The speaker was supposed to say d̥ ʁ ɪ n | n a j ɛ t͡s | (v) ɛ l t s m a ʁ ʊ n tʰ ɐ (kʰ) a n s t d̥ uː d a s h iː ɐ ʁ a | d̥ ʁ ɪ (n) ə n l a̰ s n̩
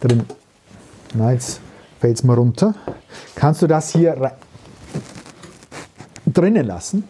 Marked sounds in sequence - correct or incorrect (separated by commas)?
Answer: incorrect, correct, correct